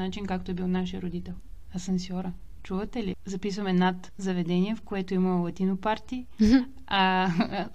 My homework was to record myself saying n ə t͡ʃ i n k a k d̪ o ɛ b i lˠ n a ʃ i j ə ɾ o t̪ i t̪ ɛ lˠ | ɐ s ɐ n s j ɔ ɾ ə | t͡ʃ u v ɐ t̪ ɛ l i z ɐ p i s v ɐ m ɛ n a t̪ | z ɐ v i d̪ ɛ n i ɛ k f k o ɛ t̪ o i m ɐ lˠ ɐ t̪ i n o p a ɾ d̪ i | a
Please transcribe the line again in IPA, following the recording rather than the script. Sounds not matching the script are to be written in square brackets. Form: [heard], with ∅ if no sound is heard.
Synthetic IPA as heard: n [a] t͡ʃ i n k a k [t̪] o ɛ b i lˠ n a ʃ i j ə ɾ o [d̪] i t̪ ɛ lˠ | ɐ s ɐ n s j ɔ ɾ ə | t͡ʃ u v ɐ t̪ ɛ l i z ɐ p i s v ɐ m ɛ n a t̪ | z ɐ v [ɛ] d̪ ɛ n i ɛ [∅] f k o ɛ t̪ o i m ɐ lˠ ɐ t̪ i n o p a ɾ [t̪] i | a